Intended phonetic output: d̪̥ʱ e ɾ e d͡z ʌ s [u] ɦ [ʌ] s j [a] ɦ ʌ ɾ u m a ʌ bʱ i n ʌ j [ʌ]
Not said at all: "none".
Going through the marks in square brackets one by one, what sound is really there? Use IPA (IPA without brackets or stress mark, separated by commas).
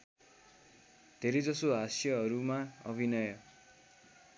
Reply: o, a, ʌ, ʌ